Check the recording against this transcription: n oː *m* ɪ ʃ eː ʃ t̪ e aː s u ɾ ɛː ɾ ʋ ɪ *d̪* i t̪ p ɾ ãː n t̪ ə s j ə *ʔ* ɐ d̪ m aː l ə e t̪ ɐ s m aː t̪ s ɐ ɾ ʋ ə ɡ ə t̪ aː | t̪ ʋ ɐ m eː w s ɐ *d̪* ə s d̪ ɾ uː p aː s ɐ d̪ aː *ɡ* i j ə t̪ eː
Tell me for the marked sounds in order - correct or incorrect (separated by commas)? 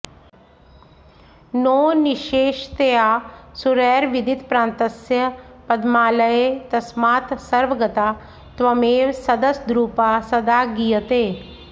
incorrect, correct, incorrect, correct, correct